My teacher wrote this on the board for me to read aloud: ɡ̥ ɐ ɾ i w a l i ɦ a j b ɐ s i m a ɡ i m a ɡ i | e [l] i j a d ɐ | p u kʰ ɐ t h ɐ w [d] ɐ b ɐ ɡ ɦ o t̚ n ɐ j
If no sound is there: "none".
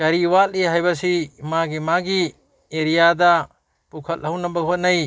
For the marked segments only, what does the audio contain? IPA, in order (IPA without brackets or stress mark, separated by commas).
ɾ, n